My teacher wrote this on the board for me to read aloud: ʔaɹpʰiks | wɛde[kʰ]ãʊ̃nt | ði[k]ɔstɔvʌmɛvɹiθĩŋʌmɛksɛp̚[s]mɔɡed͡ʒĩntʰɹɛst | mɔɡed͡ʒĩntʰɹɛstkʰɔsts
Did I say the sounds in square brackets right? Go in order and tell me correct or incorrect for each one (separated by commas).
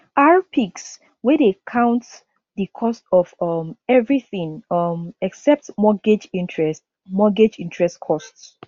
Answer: correct, incorrect, incorrect